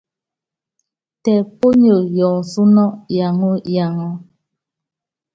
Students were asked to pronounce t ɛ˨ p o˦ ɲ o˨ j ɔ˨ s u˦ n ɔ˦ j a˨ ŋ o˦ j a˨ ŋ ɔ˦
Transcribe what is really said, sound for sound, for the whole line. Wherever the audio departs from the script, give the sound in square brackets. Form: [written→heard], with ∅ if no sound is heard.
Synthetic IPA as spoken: t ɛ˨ p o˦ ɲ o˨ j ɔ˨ s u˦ n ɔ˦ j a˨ ŋ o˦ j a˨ ŋ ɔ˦